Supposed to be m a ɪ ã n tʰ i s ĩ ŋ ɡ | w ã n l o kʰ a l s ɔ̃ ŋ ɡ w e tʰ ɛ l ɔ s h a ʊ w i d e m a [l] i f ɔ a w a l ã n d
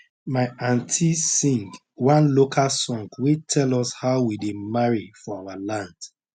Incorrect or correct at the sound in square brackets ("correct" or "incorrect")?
incorrect